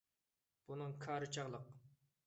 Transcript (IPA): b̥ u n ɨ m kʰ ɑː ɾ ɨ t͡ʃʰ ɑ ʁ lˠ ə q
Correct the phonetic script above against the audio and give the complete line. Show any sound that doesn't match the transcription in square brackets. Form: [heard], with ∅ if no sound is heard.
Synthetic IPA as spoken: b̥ u n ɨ [ŋ] kʰ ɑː ɾ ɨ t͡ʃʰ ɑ ʁ lˠ ə q